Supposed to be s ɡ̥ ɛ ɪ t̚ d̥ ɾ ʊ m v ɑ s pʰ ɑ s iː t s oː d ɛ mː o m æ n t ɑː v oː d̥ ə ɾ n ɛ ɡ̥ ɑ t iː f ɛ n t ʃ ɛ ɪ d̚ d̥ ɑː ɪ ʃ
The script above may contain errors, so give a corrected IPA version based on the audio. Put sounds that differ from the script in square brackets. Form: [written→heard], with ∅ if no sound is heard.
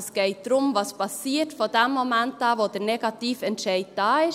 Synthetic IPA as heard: s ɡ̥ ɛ ɪ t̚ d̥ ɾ ʊ m v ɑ s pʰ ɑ s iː t [s→f] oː d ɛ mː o m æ n t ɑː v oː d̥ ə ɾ n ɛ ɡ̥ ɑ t iː f ɛ n t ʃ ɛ ɪ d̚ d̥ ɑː ɪ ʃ